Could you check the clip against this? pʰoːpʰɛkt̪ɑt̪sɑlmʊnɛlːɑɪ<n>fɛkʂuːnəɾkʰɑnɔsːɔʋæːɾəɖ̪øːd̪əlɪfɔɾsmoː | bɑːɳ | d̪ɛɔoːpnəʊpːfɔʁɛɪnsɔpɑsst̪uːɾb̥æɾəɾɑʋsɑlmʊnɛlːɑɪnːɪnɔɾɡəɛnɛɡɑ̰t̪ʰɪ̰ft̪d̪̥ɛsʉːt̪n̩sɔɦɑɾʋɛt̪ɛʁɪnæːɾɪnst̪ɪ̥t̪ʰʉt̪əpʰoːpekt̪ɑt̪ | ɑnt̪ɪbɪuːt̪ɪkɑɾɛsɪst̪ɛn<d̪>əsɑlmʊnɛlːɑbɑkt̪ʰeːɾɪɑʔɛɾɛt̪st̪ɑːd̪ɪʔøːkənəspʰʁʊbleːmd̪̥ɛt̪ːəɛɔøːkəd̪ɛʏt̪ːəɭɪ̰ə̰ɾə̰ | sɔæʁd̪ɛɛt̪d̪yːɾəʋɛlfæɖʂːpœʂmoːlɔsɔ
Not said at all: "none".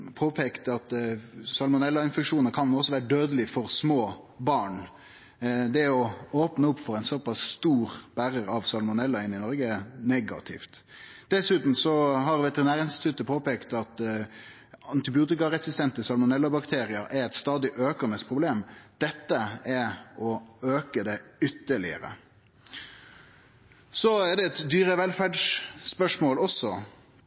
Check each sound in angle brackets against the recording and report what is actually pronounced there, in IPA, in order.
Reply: n, t̪

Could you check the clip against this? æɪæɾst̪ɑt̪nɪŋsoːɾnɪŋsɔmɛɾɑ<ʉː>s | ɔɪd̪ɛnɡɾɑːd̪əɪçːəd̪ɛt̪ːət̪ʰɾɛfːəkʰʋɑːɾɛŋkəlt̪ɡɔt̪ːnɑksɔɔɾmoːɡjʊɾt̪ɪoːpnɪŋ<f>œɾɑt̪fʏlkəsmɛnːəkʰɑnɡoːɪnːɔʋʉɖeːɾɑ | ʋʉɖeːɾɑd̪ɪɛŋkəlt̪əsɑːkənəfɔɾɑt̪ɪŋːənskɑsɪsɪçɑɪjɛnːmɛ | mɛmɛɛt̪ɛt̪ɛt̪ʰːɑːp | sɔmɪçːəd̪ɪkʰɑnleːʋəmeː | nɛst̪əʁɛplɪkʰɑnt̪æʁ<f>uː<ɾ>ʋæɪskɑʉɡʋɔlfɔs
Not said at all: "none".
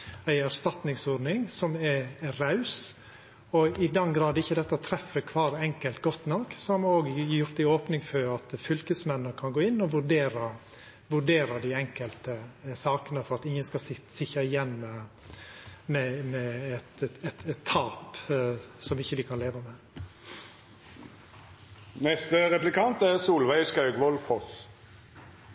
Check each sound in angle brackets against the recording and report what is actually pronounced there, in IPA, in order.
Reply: ʉ, f, s, l

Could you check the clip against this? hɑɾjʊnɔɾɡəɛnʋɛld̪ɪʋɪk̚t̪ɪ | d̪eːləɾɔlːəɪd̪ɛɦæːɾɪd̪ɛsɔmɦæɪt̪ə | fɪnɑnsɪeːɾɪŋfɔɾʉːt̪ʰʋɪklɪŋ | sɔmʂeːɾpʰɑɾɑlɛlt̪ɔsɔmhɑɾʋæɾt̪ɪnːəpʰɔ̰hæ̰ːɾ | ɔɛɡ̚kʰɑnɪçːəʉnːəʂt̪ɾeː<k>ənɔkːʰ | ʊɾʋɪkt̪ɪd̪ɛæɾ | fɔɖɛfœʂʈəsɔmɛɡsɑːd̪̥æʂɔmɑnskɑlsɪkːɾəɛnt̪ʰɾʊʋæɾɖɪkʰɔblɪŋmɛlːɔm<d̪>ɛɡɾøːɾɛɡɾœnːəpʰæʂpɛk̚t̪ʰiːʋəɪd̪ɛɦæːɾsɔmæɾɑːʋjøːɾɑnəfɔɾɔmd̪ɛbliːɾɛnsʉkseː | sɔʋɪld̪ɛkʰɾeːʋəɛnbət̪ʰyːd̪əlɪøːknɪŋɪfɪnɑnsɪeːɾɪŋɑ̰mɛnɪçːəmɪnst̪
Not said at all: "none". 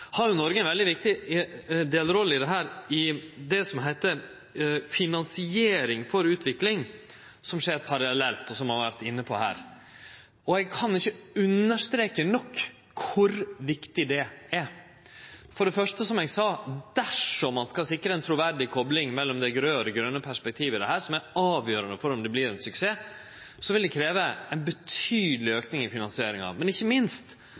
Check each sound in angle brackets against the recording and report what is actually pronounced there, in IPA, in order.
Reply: k, d̪

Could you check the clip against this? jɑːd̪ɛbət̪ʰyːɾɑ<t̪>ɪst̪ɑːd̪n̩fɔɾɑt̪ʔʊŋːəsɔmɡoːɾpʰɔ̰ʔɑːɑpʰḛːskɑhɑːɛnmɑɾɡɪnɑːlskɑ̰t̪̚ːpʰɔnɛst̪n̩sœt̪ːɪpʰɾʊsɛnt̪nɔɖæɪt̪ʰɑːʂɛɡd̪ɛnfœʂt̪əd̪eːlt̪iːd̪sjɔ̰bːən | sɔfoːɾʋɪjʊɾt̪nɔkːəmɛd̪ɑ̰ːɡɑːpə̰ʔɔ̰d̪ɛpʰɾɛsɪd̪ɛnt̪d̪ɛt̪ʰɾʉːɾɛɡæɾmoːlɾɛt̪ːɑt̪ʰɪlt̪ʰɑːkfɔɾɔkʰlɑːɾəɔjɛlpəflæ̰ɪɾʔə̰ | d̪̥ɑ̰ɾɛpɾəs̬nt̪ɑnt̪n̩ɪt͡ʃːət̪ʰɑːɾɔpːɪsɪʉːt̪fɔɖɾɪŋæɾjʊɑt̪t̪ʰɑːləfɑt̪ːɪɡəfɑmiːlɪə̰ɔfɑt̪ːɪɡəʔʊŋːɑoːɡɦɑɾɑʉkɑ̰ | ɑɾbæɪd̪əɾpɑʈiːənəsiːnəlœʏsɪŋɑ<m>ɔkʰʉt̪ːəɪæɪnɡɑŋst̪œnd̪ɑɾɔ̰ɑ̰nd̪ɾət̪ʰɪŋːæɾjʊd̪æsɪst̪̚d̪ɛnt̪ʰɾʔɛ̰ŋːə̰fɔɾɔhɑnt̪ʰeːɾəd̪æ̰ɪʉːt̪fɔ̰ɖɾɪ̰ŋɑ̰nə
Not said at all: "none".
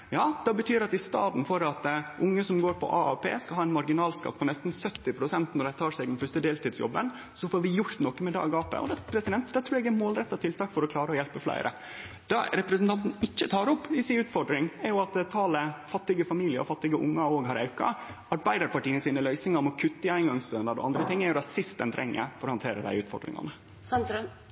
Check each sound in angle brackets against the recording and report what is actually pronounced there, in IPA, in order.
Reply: t̪, m

